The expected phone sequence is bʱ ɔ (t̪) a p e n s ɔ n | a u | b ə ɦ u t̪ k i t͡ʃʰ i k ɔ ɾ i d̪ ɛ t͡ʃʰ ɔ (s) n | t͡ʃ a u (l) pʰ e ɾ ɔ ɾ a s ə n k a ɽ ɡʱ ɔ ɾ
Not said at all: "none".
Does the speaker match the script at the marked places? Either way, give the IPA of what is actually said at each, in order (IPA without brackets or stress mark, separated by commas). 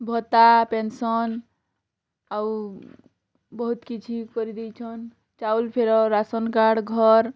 t̪, none, l